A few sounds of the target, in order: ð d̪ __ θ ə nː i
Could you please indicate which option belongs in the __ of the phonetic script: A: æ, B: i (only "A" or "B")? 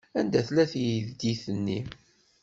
B